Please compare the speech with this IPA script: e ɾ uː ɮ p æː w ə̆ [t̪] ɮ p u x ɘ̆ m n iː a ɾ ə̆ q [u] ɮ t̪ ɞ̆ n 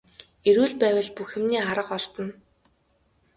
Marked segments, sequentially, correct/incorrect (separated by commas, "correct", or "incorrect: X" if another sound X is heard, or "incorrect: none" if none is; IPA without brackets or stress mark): incorrect: none, incorrect: ɔ